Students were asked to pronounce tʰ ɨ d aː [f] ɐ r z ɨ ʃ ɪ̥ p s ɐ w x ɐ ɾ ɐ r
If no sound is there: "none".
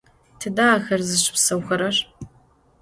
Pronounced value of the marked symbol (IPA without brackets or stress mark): x